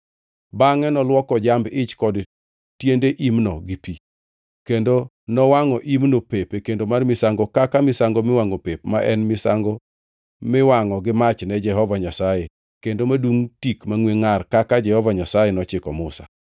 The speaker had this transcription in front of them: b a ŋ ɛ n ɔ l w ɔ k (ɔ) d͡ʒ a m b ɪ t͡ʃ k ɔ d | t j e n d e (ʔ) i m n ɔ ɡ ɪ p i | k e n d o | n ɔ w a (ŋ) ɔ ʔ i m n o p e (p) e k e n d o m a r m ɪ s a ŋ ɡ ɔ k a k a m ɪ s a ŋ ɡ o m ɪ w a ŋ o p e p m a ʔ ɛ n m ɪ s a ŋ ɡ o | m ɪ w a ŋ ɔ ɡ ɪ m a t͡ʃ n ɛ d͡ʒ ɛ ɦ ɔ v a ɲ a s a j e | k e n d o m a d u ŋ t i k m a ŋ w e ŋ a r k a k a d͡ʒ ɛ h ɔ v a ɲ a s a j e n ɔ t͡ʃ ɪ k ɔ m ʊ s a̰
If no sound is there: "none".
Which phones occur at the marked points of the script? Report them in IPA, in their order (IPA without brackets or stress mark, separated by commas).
ɔ, ʔ, ŋ, p